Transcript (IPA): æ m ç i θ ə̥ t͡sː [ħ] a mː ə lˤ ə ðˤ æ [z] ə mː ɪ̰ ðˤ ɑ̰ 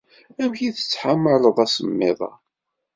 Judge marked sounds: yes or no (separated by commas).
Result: yes, no